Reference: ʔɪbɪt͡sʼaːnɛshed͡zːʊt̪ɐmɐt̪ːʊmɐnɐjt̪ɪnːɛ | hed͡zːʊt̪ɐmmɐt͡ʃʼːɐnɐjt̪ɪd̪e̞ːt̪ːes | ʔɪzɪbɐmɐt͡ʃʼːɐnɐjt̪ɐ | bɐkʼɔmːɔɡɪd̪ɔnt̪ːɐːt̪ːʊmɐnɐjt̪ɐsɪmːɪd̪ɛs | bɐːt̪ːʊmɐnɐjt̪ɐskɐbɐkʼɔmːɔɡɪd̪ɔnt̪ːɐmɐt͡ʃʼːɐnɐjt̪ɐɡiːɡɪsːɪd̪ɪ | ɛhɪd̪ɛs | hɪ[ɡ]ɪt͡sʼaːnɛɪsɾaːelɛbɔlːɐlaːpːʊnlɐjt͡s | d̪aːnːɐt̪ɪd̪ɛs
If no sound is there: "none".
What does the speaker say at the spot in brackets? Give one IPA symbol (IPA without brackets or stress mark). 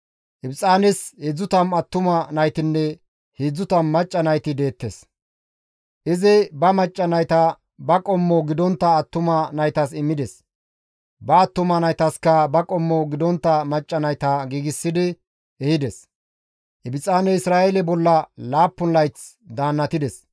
b